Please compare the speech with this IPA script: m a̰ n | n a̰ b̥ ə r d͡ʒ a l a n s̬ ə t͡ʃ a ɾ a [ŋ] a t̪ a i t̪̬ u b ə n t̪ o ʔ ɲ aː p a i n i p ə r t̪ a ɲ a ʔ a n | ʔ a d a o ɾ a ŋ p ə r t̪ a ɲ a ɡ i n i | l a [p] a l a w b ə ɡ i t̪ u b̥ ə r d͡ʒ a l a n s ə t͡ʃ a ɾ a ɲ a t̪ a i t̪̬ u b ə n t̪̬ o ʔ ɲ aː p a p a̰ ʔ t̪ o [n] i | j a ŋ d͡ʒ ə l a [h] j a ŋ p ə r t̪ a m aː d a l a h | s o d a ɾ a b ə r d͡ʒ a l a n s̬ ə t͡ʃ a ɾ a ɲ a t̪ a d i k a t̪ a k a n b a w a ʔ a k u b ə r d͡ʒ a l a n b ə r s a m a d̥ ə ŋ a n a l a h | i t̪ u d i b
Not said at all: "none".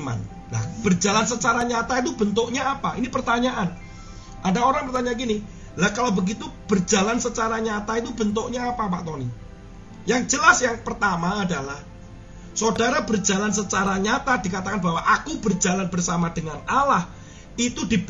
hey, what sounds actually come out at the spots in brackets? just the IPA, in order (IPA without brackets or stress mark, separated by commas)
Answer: ɲ, k, n, s